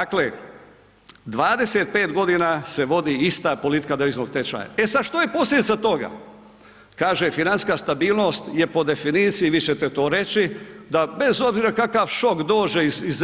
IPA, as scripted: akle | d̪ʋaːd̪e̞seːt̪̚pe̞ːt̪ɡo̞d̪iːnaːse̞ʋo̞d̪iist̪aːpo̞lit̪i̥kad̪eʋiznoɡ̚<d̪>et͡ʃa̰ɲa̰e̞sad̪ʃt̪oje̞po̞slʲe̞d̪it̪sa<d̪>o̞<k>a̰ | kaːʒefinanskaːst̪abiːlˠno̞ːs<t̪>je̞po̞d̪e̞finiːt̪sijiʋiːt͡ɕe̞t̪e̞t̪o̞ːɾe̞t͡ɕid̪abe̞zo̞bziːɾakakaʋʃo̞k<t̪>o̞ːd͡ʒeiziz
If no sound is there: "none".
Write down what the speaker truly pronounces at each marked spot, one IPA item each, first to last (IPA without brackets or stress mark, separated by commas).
t̪, t̪, ɡ, t̪, d̪